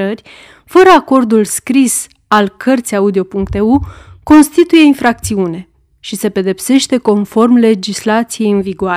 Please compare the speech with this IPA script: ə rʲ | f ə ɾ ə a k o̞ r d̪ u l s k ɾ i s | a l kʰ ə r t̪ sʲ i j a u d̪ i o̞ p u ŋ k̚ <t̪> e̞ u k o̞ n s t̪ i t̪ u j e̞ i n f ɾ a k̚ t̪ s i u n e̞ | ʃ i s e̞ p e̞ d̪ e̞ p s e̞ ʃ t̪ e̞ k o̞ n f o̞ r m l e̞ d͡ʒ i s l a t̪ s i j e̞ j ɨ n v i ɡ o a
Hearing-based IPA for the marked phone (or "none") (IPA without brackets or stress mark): t̪